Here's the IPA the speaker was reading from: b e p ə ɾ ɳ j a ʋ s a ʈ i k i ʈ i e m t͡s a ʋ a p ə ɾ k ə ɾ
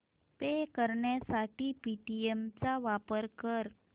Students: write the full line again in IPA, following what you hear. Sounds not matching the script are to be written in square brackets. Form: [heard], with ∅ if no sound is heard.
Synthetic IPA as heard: [p] e [k] ə ɾ ɳ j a [∅] s a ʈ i [p] i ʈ i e m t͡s a ʋ a p ə ɾ k ə ɾ